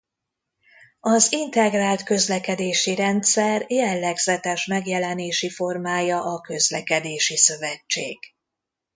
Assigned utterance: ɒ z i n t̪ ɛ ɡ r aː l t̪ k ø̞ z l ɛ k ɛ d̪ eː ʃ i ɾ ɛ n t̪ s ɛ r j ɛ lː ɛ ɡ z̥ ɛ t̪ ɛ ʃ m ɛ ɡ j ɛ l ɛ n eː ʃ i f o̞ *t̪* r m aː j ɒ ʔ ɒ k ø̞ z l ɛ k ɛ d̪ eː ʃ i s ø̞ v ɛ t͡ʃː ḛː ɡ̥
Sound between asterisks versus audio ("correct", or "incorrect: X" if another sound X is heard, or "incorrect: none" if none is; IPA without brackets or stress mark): incorrect: none